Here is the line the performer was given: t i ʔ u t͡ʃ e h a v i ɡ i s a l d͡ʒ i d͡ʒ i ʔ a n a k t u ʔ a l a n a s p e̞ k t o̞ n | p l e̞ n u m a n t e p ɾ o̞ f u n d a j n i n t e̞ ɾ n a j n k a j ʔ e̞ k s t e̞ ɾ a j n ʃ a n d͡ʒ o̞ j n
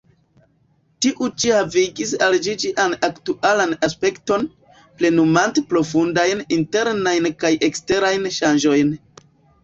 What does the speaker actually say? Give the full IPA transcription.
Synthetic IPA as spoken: t i ʔ u t͡ʃ i h a v i ɡ i s a l d͡ʒ i d͡ʒ i ʔ a n a k t u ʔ a l a n a s p e̞ k t o̞ n | p l e̞ n u m a n t e p ɾ o̞ f u n d a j n i n t e̞ ɾ n a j n k a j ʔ e̞ k s t e̞ ɾ a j n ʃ a n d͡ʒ o̞ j n